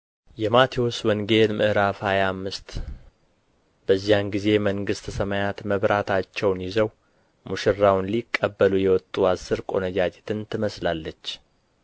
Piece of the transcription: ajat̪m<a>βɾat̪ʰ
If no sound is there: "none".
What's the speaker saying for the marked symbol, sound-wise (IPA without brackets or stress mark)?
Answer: ə